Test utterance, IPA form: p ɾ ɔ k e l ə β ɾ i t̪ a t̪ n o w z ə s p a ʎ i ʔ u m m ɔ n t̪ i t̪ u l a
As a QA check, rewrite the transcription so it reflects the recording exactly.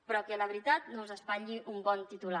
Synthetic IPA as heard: p ɾ ɔ k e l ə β ɾ i t̪ a t̪ n o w z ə s p a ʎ i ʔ u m b ɔ n t̪ i t̪ u l a